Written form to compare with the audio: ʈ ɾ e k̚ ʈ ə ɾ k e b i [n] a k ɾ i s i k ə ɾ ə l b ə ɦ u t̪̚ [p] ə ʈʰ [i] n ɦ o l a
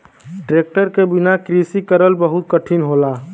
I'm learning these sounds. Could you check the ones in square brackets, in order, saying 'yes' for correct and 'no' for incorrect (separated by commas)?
yes, no, yes